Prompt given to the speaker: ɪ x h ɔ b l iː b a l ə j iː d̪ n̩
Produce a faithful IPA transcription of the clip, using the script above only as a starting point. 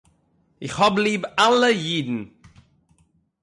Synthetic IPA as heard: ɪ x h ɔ b l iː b a l ə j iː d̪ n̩